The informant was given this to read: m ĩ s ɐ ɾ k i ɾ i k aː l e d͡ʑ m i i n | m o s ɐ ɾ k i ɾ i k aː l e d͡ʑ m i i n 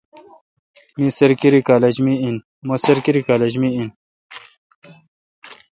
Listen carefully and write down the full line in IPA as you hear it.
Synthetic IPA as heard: m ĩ s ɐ ɾ k i ɾ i k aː l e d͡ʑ m i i n | m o s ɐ ɾ k i ɾ i k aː l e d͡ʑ m i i n